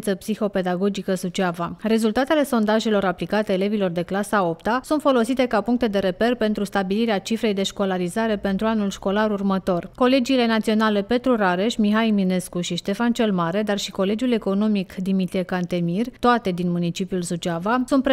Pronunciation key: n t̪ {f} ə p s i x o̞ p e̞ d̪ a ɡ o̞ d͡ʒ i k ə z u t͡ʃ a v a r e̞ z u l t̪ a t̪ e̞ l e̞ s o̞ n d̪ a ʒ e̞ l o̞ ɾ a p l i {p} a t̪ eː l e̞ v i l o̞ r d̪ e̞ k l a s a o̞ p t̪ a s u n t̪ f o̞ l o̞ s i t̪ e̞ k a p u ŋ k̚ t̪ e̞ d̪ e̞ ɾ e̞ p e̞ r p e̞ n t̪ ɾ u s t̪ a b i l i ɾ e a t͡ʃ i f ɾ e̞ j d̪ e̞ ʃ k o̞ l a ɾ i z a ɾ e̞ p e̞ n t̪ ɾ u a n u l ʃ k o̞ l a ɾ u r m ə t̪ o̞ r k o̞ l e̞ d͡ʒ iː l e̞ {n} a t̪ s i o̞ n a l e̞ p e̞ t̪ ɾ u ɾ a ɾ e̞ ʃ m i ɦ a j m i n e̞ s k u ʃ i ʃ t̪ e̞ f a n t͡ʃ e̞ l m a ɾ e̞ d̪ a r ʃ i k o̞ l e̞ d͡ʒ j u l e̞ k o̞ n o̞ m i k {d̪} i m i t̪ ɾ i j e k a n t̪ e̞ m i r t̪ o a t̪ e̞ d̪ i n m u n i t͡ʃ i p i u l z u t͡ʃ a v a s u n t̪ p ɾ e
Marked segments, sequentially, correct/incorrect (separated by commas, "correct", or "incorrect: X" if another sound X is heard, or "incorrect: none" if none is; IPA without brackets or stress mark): incorrect: s, incorrect: k, correct, correct